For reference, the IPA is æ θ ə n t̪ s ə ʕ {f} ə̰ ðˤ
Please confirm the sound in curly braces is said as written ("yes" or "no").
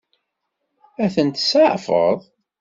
yes